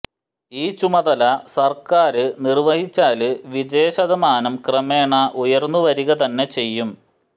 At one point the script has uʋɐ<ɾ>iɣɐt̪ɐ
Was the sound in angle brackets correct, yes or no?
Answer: yes